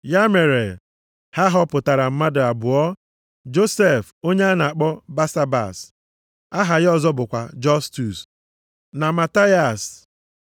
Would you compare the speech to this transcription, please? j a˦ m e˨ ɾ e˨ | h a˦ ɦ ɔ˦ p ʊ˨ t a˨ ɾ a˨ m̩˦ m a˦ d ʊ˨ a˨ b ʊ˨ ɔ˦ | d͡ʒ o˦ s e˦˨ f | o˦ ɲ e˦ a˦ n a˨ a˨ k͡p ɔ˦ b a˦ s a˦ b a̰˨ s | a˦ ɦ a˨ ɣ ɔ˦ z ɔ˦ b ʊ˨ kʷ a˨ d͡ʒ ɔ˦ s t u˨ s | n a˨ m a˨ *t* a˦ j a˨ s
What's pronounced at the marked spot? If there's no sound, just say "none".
t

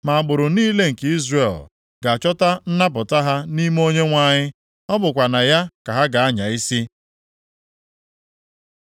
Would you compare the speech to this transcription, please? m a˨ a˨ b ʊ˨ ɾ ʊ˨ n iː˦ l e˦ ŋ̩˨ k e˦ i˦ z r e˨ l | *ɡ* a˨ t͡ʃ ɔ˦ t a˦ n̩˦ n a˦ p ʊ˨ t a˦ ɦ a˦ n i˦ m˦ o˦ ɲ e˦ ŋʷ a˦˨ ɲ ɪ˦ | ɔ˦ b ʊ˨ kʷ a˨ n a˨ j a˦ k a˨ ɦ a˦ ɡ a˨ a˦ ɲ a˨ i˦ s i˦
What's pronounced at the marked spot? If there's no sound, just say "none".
ɡ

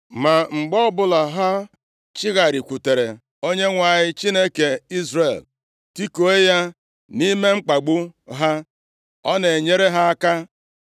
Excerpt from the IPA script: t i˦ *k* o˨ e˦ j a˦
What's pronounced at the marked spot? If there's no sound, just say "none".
k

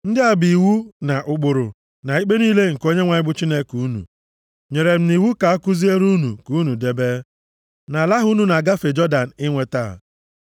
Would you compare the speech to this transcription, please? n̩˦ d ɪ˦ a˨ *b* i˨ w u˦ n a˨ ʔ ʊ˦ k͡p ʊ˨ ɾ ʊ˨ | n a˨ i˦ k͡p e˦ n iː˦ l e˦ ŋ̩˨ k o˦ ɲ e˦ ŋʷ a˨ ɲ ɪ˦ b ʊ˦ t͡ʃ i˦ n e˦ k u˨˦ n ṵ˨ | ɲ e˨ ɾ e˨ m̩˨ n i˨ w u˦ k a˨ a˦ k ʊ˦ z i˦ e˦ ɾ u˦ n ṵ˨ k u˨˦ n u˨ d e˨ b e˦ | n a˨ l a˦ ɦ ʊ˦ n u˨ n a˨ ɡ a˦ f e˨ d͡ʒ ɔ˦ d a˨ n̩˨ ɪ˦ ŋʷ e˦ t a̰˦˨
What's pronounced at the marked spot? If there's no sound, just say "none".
b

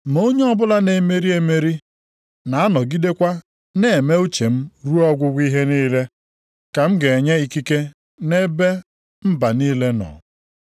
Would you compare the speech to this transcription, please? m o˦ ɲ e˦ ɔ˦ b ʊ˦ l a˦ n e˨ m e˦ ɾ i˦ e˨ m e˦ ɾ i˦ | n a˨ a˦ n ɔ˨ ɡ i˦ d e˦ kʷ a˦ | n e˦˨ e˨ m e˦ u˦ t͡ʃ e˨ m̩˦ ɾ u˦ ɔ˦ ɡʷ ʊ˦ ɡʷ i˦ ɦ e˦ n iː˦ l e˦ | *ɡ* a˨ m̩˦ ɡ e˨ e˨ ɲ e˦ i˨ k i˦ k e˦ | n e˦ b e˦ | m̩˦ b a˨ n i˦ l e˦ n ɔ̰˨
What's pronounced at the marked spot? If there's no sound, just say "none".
k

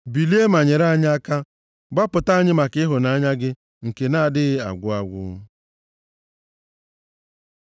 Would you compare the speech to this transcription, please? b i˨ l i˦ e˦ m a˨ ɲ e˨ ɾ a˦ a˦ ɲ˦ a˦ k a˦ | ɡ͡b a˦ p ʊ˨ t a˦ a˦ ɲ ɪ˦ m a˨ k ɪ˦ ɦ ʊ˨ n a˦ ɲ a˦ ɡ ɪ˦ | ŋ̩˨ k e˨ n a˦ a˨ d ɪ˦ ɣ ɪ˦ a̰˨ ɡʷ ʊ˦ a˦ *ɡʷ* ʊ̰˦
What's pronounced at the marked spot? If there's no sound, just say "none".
ɡʷ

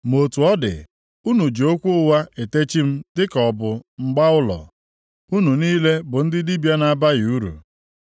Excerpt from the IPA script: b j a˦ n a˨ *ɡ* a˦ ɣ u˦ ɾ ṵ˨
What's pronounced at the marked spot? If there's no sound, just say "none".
b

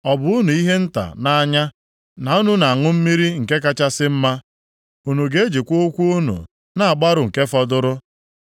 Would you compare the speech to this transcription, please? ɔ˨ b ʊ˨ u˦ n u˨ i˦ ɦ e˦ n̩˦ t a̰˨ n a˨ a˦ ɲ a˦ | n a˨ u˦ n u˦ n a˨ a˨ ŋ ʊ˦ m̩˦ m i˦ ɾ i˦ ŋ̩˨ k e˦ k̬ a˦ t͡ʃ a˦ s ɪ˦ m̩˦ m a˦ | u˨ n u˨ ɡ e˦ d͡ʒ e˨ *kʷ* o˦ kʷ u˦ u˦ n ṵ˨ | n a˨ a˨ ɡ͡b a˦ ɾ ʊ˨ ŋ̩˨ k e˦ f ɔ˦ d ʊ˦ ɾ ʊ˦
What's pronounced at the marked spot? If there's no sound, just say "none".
kʷ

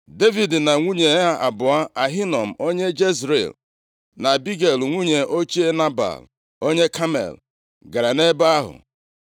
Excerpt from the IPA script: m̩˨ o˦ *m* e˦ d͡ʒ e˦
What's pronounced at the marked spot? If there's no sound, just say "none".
ɲ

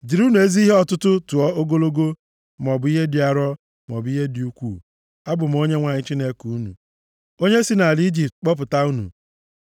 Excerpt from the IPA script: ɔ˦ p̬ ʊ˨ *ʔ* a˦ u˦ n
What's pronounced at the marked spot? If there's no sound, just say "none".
t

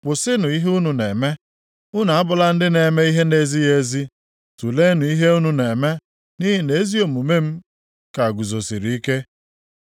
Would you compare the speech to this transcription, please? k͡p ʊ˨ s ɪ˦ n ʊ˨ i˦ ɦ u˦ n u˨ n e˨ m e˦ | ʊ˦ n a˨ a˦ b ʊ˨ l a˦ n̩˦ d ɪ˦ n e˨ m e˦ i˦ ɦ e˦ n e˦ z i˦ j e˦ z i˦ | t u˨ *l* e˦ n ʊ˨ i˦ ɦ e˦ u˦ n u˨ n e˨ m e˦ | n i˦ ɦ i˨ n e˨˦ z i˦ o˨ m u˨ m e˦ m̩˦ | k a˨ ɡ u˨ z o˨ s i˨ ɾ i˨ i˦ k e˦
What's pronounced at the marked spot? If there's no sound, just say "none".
l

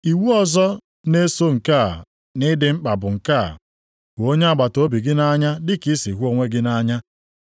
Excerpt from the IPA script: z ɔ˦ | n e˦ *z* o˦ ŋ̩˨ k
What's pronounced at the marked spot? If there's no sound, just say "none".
s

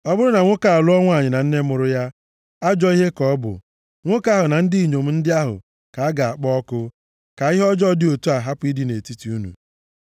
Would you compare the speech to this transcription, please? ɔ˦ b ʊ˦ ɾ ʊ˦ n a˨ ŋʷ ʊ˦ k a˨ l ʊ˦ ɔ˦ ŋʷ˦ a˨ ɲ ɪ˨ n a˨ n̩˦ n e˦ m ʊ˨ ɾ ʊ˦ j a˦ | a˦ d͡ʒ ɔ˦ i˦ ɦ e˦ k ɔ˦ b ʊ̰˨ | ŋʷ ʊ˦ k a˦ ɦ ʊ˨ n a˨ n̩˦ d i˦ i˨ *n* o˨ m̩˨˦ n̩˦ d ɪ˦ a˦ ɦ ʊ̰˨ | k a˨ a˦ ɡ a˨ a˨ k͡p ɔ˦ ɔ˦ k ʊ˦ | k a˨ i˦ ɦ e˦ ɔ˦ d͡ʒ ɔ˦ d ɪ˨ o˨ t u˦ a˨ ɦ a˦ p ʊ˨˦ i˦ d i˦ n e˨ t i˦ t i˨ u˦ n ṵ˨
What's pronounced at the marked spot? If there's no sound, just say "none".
ɲ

